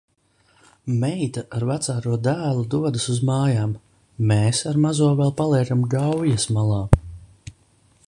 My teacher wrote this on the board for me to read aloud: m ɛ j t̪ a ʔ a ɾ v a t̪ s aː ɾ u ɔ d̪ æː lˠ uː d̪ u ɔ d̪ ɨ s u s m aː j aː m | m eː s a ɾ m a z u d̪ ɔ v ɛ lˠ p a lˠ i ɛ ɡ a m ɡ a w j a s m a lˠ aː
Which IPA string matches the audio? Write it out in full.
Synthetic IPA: m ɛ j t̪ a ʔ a ɾ v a t̪ s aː ɾ u ɔ d̪ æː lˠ u d̪ u ɔ d̪ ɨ s u z m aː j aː m | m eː s a ɾ m a z u ɔ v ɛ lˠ p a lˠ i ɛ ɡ a m ɡ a w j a s m a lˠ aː